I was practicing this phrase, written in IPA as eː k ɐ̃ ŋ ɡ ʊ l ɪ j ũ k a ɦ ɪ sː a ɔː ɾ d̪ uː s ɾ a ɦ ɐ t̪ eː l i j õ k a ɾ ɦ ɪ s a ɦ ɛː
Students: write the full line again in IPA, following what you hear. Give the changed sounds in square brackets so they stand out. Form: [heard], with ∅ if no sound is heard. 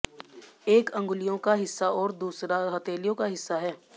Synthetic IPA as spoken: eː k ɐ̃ ŋ ɡ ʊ l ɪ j [õ] k a ɦ ɪ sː a ɔː ɾ d̪ uː s ɾ a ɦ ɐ t̪ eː l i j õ k a [∅] ɦ ɪ [sː] a ɦ ɛː